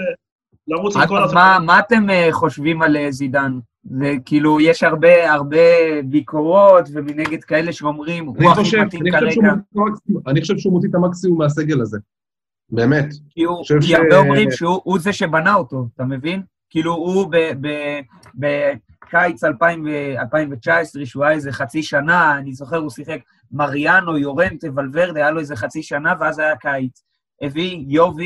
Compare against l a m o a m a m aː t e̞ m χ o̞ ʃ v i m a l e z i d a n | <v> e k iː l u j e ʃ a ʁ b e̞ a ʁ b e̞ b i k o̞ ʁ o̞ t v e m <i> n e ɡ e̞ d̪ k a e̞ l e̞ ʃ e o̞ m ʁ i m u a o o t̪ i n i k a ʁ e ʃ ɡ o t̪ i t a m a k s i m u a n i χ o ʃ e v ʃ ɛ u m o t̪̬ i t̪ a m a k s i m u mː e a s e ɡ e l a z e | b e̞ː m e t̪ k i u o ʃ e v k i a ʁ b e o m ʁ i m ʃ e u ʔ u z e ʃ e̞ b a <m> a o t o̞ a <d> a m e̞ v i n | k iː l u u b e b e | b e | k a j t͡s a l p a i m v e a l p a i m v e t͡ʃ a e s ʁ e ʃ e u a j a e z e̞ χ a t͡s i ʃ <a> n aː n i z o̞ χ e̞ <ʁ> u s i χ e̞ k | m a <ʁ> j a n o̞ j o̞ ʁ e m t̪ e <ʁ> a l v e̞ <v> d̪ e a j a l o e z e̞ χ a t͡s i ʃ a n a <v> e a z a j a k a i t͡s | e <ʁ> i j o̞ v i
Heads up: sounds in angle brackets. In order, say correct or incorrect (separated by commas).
incorrect, correct, incorrect, incorrect, correct, correct, correct, incorrect, incorrect, correct, incorrect